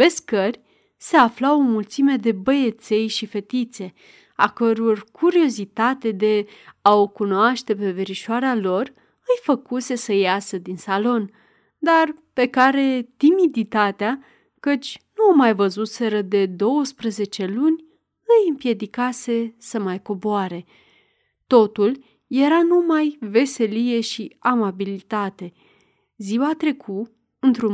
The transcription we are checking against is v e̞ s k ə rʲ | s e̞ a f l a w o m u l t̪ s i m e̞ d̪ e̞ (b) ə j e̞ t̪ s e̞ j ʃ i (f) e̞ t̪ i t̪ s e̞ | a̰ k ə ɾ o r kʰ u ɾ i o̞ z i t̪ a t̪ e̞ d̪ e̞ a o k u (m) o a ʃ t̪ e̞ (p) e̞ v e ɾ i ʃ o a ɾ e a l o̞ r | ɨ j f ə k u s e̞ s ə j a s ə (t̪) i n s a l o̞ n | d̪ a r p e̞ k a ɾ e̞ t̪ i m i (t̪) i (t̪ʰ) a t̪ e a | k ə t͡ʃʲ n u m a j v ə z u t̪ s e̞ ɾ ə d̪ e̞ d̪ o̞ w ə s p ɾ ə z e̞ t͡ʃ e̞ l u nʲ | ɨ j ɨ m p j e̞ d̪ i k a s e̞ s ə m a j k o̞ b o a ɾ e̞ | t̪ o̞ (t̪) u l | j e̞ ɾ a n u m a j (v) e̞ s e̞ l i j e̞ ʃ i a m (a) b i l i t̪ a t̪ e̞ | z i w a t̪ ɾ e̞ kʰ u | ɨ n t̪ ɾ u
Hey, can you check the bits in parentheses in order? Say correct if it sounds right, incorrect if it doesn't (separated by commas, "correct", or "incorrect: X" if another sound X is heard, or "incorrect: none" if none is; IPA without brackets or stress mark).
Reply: correct, correct, incorrect: n, correct, incorrect: d̪, incorrect: d̪, incorrect: t̪, correct, correct, correct